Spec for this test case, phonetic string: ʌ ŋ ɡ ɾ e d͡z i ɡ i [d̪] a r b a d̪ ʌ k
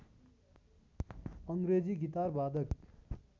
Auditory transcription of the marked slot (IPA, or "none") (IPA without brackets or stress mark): t̪